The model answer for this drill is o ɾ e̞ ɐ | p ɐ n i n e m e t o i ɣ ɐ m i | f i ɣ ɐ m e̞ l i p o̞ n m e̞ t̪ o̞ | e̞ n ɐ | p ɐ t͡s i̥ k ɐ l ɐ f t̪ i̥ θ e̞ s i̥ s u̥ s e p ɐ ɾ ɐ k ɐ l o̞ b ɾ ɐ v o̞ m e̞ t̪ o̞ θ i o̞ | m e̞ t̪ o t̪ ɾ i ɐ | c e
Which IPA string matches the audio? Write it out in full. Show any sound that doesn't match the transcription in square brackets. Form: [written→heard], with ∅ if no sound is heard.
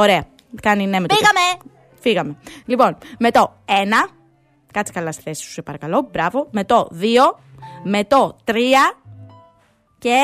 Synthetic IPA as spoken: o ɾ e̞ ɐ | [p→k] ɐ n i n e m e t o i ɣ ɐ m [i→e] | f i ɣ ɐ m e̞ l i p o̞ n m e̞ t̪ o̞ | e̞ n ɐ | [p→k] ɐ t͡s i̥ k ɐ l ɐ [f→s] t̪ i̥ θ e̞ s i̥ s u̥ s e p ɐ ɾ ɐ k ɐ l o̞ b ɾ ɐ v o̞ m e̞ t̪ o̞ [θ→ð] i o̞ | m e̞ t̪ o t̪ ɾ i ɐ | c e